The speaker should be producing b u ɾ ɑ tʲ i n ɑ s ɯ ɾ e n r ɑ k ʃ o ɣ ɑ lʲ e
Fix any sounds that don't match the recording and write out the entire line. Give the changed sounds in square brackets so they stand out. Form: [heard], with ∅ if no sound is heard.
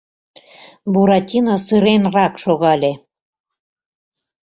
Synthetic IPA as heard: b u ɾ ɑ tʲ i n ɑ s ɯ ɾ e n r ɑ k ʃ o ɣ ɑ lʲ e